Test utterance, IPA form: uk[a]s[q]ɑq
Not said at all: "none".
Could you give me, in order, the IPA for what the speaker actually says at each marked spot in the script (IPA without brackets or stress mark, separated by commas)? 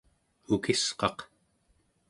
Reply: i, q